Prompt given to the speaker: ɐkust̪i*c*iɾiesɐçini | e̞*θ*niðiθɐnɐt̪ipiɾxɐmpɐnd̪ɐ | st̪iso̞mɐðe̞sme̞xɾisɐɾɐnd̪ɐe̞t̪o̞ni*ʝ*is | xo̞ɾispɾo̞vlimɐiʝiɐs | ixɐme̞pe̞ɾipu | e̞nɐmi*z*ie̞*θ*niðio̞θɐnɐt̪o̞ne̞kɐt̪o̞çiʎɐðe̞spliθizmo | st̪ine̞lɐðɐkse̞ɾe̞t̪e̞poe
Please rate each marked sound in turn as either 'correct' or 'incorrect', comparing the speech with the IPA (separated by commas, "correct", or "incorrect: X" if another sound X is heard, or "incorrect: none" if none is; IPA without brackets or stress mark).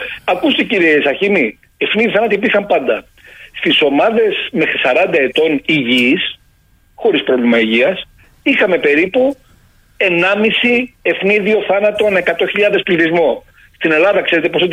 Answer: correct, incorrect: f, correct, incorrect: s, incorrect: f